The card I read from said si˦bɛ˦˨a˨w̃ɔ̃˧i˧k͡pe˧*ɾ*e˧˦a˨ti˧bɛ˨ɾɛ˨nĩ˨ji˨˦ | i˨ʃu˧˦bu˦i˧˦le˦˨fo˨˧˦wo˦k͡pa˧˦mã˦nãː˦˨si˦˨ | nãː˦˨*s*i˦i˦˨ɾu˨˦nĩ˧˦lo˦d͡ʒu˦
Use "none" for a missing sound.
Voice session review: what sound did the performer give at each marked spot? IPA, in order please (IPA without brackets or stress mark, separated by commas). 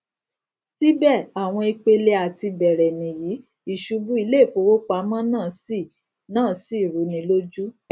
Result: l, s